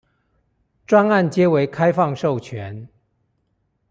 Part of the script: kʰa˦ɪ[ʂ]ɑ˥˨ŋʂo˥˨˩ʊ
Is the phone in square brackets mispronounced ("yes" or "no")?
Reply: yes